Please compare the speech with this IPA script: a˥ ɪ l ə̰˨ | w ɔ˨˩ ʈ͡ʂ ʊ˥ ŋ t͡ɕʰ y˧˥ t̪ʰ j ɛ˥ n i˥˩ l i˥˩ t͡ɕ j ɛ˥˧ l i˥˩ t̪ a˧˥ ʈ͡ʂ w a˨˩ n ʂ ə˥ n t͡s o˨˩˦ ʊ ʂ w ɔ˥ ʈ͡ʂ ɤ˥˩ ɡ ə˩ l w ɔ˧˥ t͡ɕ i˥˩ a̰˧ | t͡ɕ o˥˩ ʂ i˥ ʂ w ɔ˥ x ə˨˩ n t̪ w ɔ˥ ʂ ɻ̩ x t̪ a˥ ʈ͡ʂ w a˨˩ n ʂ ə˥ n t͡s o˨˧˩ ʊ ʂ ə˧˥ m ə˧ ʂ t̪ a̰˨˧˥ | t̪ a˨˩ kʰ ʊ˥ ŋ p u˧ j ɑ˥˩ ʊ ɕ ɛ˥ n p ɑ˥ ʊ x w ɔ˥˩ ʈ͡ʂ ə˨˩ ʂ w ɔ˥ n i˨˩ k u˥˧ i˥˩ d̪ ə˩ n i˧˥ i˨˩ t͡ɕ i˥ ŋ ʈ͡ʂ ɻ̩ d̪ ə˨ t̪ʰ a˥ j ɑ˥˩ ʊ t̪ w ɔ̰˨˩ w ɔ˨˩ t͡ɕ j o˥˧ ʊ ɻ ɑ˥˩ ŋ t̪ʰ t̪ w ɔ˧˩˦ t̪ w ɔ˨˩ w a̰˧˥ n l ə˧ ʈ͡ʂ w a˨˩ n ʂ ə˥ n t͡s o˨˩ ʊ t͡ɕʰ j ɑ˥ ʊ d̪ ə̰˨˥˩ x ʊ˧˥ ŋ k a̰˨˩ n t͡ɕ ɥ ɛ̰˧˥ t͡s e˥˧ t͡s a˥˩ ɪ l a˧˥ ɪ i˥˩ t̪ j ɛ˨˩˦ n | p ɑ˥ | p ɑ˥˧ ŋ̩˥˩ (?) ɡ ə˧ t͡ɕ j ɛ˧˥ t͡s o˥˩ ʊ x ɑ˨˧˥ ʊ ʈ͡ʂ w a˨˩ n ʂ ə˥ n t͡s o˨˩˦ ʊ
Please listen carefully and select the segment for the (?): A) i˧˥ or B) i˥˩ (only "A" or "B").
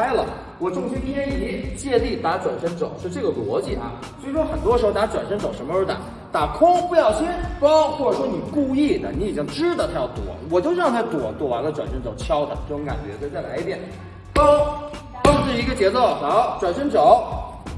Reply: A